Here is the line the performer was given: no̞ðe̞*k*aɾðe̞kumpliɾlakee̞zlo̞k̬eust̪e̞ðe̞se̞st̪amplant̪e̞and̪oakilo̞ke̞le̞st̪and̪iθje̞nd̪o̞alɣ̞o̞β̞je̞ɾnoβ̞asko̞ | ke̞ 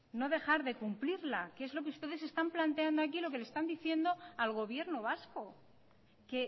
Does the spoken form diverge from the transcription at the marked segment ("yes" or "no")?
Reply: yes